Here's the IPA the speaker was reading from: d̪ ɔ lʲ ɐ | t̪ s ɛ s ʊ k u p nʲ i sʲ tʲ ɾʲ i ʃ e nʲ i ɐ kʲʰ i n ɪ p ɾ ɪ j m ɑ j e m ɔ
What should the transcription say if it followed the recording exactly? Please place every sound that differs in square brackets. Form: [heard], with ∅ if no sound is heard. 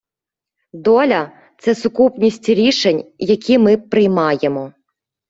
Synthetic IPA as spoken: d̪ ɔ lʲ ɐ | t̪ s ɛ s ʊ k u p nʲ i sʲ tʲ ɾʲ i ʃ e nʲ [j] ɐ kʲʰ i [m] ɪ p ɾ ɪ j m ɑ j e m ɔ